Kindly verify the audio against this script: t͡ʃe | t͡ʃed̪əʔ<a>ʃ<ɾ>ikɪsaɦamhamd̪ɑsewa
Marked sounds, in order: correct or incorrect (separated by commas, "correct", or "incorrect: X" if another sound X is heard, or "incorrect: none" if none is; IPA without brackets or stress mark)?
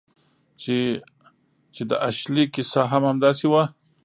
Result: correct, incorrect: l